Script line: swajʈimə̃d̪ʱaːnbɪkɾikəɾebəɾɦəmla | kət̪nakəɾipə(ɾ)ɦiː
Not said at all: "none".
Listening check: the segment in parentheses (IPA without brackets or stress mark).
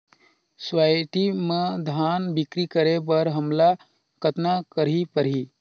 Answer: ɾ